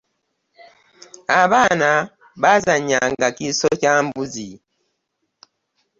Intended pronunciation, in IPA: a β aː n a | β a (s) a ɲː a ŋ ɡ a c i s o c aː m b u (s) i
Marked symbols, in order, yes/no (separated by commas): no, no